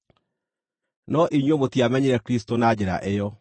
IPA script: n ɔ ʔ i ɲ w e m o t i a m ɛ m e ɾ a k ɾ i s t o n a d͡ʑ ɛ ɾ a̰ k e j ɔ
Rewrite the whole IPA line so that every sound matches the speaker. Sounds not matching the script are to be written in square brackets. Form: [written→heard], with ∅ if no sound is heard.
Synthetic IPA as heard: n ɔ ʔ i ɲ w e m o t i a m ɛ [m→ɲ] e ɾ [a→ɛ] k ɾ i s t o n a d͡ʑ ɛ ɾ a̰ [k→ʔ] e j ɔ

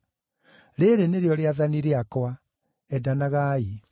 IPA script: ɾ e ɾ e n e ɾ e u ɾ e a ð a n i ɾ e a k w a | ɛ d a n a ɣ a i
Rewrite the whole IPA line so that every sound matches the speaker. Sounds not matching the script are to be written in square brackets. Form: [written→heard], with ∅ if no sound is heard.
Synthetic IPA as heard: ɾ e ɾ e n e ɾ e [u→ɔ] ɾ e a ð a n i ɾ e a k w a | ɛ d a n a ɣ a i

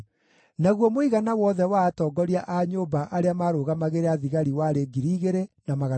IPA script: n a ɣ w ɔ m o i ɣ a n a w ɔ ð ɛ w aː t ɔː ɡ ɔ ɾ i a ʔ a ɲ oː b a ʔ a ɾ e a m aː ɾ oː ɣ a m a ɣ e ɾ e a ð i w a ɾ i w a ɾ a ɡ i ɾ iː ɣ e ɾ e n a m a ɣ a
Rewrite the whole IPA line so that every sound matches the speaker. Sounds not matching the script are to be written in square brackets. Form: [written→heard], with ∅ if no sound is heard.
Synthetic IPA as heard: n a ɣ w ɔ m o i ɣ a n a w ɔ ð ɛ w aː t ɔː ɡ ɔ ɾ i a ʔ a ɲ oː b a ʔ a ɾ e a m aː ɾ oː ɣ a m a ɣ e ɾ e a ð i [w→ɣ] a ɾ i w a ɾ [a→e] ɡ i ɾ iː ɣ e ɾ e n a m a ɣ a

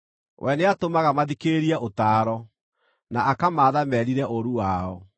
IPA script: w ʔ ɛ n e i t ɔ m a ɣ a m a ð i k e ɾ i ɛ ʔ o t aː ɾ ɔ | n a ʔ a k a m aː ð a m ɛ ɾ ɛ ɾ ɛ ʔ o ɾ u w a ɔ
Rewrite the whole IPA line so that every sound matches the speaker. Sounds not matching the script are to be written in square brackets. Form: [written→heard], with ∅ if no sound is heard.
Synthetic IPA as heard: w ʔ ɛ n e [i→a] t [ɔ→o] m a ɣ a m a ð i k e ɾ i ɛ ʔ o t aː ɾ ɔ | n a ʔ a k a m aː ð a m ɛ ɾ [ɛ→i] ɾ ɛ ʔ o ɾ u w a ɔ

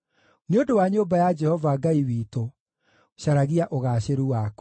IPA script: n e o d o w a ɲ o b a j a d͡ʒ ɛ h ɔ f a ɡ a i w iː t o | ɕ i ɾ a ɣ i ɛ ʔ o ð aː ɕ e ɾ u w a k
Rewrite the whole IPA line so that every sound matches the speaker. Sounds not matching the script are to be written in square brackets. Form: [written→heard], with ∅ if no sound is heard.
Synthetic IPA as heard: n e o d o w a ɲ o b a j a d͡ʒ ɛ h ɔ [f→v] a ɡ a i w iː t o | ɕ [i→a] ɾ a ɣ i [ɛ→a] ʔ o [ð→ɣ] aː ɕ e ɾ u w a k

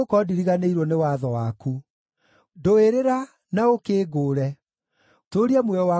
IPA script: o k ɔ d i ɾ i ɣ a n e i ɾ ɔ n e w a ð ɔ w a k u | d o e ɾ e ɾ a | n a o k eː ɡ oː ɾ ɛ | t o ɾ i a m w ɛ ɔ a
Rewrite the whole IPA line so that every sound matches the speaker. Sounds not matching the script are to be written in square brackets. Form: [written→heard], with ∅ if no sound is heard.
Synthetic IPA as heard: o k ɔ d i ɾ i ɣ a n e i ɾ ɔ n e w a ð ɔ w a k u | d o e ɾ e ɾ a | n a o k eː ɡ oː ɾ ɛ | t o ɾ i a m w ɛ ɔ a

